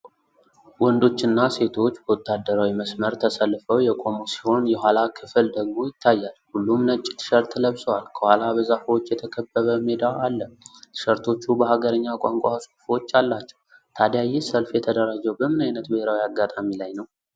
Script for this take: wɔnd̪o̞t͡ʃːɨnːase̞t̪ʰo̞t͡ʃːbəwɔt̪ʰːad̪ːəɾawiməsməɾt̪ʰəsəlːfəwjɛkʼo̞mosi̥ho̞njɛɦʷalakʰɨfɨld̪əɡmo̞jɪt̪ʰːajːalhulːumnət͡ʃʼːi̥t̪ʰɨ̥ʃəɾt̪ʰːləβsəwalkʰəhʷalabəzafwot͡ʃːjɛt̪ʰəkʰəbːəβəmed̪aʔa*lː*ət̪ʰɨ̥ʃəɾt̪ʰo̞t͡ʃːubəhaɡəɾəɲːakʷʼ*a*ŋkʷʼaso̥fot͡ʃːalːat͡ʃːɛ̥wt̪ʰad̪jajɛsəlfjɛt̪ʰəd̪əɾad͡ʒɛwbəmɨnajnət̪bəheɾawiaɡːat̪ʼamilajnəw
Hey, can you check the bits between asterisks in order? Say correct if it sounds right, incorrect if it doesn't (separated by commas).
correct, correct